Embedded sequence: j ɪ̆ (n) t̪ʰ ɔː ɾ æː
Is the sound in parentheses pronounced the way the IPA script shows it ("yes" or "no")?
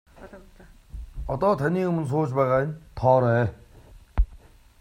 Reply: yes